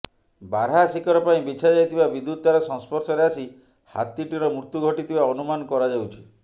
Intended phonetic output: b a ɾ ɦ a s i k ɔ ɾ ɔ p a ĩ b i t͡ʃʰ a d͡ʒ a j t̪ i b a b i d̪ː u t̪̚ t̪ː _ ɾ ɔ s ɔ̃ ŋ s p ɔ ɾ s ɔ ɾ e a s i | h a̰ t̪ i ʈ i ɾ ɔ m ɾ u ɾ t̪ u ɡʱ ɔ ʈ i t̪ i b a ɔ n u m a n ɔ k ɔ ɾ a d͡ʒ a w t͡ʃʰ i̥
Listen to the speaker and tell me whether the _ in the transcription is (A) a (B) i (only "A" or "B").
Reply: A